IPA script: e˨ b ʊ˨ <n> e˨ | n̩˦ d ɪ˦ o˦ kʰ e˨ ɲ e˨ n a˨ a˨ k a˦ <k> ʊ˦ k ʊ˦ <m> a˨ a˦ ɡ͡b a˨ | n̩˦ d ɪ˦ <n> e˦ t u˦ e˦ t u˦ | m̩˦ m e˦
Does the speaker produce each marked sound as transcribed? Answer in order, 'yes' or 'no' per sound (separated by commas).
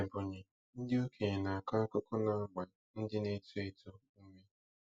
no, yes, no, yes